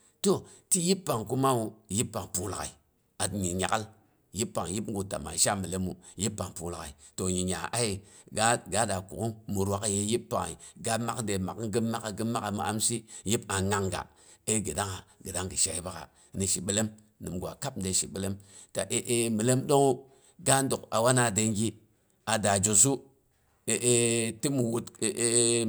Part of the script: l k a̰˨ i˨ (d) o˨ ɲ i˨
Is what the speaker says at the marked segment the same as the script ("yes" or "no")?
no